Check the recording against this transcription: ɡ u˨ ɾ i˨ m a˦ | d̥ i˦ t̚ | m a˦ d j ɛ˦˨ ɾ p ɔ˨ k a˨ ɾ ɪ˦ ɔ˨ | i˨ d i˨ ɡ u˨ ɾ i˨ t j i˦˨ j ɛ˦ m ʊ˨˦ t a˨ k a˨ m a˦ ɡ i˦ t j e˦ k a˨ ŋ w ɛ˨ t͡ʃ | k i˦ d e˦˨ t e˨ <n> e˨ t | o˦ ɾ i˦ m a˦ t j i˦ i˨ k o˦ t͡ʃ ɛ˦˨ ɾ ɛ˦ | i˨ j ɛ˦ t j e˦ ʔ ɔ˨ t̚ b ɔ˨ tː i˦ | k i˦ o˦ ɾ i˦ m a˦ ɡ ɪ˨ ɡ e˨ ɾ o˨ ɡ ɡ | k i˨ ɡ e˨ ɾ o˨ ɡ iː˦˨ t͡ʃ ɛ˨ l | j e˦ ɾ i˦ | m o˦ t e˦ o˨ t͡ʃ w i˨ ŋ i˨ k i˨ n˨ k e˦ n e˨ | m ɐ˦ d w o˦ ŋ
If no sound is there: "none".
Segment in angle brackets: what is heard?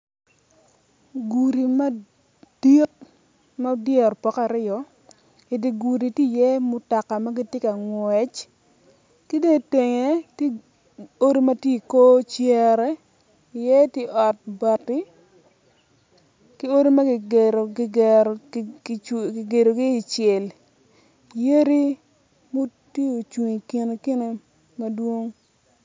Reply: ŋ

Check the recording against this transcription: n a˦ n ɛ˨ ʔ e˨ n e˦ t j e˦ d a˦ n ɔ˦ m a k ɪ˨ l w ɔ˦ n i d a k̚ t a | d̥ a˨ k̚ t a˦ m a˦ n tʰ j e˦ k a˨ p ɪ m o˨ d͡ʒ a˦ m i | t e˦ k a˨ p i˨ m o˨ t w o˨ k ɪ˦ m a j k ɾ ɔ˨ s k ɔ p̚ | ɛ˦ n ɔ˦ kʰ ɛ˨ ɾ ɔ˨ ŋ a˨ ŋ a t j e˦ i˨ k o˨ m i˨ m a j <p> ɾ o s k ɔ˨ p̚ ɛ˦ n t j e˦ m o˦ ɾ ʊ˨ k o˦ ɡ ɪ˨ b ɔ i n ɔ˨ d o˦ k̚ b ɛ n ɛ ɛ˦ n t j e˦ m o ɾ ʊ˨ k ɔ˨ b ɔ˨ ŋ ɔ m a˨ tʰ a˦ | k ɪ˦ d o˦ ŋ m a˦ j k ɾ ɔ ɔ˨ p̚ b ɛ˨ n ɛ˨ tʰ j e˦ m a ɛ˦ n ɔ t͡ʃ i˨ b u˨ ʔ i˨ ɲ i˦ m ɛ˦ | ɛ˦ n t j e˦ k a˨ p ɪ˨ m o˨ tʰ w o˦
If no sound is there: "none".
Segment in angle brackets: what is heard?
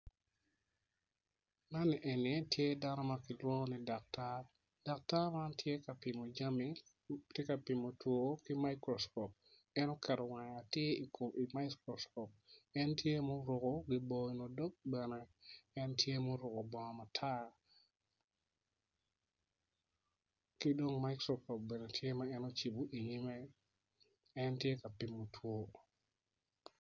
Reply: k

